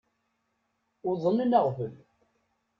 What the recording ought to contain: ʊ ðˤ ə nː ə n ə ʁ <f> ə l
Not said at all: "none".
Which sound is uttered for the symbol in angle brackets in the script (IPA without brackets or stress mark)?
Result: v